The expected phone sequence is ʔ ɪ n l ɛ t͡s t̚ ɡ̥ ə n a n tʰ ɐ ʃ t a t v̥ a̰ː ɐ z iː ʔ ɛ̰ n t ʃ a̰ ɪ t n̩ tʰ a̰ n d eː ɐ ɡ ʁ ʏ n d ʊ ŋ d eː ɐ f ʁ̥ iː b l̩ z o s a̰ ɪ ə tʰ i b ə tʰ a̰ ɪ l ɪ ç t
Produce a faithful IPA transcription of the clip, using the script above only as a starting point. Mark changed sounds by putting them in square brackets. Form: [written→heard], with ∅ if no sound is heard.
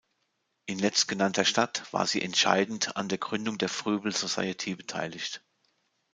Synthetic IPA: ʔ ɪ n l ɛ t͡s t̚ ɡ̥ ə n a n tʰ ɐ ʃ t a t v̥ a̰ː ɐ z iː ʔ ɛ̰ n t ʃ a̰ ɪ [t→d] n̩ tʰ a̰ n d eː ɐ ɡ ʁ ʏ n d ʊ ŋ d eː ɐ f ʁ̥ [iː→yː] b l̩ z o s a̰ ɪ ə tʰ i b ə tʰ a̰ ɪ l ɪ ç t